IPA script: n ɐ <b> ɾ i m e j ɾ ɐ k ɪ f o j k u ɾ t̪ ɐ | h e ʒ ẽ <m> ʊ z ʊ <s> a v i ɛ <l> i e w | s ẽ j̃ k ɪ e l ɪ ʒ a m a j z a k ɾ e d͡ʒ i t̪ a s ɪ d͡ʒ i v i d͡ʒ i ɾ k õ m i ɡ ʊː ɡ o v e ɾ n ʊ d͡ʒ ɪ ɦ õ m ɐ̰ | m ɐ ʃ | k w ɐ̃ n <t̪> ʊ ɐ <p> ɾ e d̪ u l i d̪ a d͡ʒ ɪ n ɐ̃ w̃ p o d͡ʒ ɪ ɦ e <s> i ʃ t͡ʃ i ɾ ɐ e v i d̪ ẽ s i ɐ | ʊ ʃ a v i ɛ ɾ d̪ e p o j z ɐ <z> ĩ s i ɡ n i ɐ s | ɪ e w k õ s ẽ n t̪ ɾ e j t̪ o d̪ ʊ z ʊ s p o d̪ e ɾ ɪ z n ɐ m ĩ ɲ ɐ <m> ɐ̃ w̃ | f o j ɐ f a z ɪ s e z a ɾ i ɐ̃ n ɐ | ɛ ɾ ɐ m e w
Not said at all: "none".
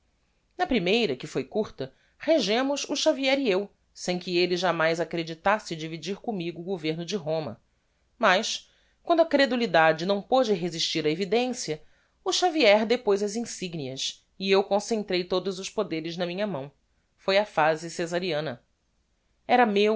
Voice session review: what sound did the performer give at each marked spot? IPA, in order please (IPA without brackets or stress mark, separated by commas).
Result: p, m, ʃ, ɾ, d̪, k, z, z, m